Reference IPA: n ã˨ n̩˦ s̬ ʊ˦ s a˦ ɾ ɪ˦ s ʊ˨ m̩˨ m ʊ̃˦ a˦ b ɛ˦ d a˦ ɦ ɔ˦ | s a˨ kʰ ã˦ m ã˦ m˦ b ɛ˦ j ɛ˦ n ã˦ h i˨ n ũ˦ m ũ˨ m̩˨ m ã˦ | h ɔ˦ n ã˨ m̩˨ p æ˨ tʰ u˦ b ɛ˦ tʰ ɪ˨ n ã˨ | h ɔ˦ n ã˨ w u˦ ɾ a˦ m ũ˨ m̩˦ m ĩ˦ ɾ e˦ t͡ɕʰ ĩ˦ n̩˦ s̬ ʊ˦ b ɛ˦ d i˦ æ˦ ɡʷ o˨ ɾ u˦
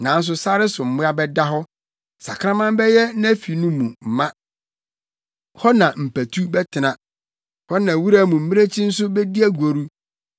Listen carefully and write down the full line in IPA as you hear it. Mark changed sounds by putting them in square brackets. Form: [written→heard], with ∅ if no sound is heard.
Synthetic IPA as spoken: n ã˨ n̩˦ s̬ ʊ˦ s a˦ ɾ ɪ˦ s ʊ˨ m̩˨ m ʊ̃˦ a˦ b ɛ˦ d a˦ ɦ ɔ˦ | s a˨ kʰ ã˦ m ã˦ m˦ b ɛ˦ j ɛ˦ n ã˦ [h→f] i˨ n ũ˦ m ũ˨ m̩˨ m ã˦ | h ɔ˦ n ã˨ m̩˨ p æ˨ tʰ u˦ b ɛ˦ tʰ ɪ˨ n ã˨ | h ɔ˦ n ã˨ w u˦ ɾ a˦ m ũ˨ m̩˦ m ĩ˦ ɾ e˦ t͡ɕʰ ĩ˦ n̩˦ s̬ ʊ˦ b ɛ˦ d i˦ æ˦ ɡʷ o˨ ɾ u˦

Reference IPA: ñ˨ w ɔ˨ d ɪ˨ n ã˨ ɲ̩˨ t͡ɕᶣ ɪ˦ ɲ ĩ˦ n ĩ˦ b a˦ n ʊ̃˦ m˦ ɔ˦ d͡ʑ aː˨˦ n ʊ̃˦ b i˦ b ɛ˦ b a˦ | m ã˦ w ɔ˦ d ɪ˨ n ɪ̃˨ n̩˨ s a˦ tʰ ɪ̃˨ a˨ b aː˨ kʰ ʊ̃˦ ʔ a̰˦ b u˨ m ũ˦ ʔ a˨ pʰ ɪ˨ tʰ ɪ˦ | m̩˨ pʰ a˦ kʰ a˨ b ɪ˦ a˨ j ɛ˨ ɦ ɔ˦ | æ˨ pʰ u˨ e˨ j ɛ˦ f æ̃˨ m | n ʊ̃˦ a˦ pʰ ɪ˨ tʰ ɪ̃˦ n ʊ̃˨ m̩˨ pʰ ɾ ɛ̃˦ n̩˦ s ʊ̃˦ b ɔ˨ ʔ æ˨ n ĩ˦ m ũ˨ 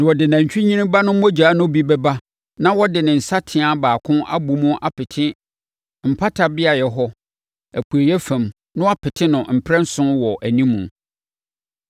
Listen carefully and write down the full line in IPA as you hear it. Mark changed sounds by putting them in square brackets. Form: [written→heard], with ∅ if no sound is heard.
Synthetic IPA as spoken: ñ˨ w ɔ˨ d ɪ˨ n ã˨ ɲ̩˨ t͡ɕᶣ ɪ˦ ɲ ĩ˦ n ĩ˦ b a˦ n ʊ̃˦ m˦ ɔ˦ d͡ʑ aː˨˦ n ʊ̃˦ b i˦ b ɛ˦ b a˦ | [m→n] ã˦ w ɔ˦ d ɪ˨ n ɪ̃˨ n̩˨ s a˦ tʰ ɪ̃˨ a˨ b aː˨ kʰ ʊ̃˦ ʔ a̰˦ b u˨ m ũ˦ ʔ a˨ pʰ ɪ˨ tʰ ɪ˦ | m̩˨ pʰ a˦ [kʰ→tʰ] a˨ b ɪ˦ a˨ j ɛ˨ ɦ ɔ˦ | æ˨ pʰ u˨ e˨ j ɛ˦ f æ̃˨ m | n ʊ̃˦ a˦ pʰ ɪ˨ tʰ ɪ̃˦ n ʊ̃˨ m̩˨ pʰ ɾ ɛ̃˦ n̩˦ s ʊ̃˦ [b→w] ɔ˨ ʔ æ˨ n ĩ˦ m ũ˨

